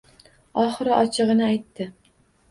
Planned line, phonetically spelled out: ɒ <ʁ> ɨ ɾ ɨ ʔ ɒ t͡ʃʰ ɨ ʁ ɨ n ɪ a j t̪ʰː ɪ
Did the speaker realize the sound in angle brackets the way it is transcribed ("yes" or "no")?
no